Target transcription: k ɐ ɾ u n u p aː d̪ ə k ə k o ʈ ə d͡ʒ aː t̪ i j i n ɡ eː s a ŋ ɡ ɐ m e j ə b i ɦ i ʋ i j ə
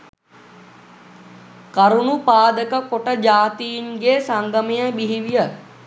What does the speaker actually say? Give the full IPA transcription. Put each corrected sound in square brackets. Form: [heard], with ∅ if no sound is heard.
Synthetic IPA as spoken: k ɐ ɾ u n u p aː d̪ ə k ə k o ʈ ə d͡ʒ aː t̪ i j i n ɡ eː s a ŋ ɡ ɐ m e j ə b i ɦ i ʋ i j ə